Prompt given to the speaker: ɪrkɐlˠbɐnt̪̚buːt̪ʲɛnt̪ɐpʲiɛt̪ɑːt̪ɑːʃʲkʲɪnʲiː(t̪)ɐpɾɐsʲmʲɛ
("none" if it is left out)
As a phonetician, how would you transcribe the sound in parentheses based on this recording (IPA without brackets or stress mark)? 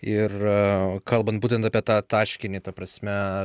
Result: t̪